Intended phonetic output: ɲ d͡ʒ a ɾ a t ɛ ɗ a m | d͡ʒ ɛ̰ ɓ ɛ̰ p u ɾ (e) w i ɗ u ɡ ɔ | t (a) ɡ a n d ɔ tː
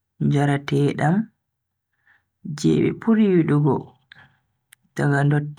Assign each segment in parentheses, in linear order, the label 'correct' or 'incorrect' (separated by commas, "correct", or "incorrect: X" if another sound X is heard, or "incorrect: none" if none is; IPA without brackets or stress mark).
incorrect: i, correct